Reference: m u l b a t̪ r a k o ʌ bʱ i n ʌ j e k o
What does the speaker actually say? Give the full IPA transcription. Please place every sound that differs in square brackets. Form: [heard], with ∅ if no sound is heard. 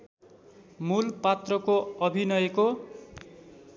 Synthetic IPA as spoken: m u l [p] a t̪ r [ʌ] k o ʌ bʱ i n ʌ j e k o